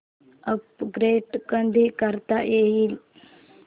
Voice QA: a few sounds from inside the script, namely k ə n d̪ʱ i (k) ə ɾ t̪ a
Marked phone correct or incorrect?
correct